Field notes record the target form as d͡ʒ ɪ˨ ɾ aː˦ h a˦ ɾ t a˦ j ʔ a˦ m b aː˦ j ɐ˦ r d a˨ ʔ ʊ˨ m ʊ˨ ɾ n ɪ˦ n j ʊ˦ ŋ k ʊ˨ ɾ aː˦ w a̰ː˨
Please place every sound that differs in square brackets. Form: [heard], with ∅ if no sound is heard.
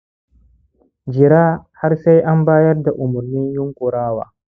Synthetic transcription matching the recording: d͡ʒ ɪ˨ ɾ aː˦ h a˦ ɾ [s] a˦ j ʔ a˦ m b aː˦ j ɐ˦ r d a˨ ʔ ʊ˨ m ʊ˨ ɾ n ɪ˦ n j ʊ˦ ŋ k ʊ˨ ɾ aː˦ w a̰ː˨